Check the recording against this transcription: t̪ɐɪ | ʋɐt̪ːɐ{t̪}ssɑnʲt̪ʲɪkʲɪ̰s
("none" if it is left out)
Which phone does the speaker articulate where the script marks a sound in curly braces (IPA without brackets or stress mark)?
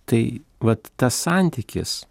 none